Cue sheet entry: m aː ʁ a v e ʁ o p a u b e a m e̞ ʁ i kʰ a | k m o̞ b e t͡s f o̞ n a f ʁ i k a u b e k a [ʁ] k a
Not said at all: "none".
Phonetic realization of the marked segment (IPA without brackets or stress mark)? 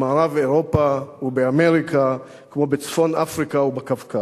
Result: v